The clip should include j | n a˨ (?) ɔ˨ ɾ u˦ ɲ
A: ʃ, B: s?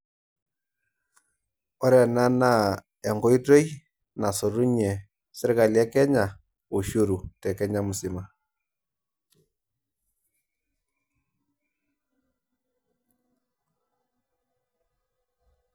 B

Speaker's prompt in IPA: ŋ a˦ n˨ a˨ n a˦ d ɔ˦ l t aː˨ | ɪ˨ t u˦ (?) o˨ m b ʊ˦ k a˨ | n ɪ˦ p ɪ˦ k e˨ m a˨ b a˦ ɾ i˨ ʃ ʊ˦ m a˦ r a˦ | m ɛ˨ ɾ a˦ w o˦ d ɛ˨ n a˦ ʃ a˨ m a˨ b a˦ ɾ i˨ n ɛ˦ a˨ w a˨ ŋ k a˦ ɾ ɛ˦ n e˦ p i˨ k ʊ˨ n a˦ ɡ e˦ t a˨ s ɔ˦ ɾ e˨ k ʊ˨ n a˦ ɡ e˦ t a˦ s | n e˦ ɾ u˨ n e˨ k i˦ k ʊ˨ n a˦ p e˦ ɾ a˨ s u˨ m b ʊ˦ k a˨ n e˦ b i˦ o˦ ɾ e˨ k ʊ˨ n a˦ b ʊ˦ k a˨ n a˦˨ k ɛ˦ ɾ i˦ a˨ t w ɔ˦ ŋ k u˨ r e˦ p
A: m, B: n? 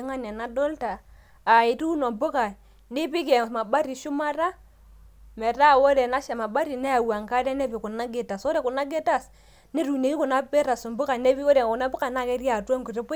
B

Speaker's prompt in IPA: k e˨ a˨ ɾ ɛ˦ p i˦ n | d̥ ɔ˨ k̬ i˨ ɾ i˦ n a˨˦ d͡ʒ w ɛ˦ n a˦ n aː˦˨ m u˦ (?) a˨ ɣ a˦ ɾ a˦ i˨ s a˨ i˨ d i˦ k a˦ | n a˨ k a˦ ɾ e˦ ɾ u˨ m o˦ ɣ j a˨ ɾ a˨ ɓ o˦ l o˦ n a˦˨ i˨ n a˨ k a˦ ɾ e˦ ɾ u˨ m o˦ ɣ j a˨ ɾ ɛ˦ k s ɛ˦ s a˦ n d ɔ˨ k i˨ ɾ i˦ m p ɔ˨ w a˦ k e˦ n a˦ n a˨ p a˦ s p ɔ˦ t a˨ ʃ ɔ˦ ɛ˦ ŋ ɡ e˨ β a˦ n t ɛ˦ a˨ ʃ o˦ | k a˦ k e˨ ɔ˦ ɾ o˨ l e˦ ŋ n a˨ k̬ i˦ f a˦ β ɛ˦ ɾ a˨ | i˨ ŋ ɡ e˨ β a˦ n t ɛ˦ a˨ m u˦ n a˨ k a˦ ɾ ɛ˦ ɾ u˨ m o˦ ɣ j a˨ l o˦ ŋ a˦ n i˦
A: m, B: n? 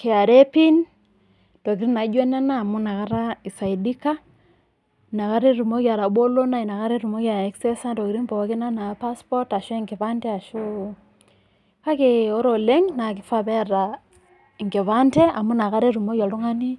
B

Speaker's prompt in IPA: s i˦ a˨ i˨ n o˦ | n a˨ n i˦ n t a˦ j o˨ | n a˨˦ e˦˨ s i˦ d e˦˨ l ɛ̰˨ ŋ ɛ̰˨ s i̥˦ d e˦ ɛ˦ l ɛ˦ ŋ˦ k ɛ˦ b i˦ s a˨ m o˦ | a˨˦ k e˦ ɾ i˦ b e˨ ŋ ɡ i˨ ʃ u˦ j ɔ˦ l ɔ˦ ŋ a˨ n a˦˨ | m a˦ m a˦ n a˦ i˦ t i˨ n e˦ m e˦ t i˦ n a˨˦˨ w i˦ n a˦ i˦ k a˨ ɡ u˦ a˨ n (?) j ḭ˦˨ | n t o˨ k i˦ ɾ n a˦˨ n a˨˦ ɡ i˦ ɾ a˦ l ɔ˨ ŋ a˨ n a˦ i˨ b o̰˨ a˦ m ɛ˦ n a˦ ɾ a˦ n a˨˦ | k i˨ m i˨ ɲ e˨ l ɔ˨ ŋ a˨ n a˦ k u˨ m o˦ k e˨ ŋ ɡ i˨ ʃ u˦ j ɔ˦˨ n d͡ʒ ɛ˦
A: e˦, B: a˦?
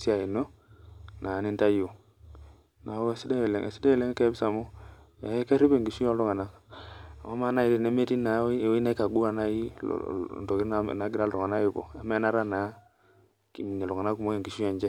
B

